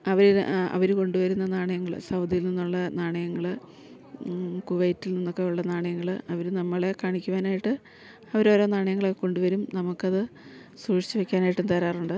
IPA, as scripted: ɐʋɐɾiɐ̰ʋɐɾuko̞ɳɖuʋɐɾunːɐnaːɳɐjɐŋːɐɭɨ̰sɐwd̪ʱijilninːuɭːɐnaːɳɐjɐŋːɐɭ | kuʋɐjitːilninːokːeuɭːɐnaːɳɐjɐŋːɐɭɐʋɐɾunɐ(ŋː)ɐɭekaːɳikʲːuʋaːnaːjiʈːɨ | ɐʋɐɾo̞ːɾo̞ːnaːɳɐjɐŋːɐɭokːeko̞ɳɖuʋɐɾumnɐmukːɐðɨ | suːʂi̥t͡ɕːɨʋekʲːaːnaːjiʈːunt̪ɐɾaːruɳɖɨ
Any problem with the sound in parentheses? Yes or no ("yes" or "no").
yes